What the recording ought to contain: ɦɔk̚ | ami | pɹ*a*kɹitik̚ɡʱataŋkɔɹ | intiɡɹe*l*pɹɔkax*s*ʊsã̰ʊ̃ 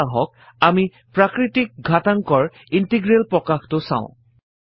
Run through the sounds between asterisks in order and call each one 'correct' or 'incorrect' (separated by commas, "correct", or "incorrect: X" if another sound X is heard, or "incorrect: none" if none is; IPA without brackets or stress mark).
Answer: correct, correct, incorrect: t